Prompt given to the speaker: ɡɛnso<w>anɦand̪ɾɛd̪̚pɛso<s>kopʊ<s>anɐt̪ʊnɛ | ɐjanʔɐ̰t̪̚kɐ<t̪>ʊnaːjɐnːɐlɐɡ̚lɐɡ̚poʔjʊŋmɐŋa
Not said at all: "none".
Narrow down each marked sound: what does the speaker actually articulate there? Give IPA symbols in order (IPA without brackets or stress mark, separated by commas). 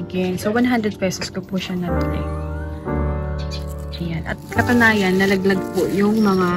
w, s, ʃ, t̪